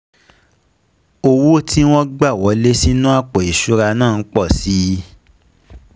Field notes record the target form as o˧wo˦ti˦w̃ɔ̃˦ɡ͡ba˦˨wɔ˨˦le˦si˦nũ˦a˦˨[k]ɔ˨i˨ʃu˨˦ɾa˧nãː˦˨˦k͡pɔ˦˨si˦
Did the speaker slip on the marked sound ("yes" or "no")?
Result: yes